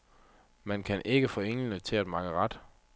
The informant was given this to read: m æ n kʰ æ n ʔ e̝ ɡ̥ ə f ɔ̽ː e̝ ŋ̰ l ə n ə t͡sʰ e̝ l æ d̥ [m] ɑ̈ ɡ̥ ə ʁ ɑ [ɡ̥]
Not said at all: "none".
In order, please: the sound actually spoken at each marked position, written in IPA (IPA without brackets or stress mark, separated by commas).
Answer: m, d̥